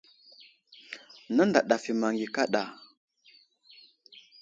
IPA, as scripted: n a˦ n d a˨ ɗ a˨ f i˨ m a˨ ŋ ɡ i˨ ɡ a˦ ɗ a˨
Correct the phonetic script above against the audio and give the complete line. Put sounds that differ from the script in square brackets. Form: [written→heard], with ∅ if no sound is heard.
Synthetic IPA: n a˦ n d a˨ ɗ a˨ f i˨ m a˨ ŋ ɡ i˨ [ɡ→k] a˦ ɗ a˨